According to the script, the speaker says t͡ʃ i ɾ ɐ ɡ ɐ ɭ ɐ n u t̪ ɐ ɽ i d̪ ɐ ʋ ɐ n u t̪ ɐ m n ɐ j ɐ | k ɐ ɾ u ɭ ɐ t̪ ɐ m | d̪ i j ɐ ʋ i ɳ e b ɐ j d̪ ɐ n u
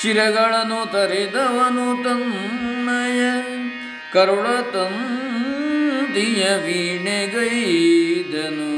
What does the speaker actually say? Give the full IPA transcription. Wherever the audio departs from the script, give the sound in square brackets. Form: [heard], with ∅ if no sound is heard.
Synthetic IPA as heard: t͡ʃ i ɾ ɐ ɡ ɐ ɭ ɐ n u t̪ ɐ [ɾ] i d̪ ɐ ʋ ɐ n u t̪ ɐ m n ɐ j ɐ | k ɐ ɾ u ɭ ɐ t̪ ɐ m | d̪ i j ɐ ʋ i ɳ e [ɡ] ɐ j d̪ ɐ n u